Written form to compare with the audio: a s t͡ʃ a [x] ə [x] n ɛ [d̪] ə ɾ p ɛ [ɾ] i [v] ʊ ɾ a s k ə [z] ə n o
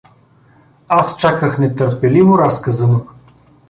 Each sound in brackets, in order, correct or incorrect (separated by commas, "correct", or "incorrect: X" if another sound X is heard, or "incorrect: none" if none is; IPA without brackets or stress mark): incorrect: k, correct, incorrect: t̪, incorrect: l, correct, correct